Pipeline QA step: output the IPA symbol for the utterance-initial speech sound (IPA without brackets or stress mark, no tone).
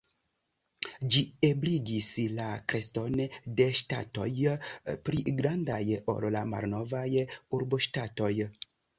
d͡ʒ